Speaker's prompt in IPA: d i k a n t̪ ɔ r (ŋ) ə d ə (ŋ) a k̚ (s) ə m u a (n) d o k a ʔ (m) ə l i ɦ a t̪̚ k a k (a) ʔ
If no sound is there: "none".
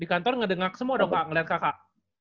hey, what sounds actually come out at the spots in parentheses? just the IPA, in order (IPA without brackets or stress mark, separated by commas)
ŋ, ŋ, s, none, ŋ, a